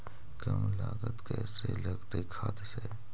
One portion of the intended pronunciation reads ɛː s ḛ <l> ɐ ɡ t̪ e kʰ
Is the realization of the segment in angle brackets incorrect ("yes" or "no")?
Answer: no